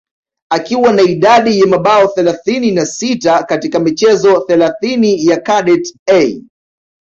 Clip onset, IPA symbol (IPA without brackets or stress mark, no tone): a